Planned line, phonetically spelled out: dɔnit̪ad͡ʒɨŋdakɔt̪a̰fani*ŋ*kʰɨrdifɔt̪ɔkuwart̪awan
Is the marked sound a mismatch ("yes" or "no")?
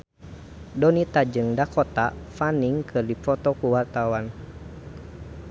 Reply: no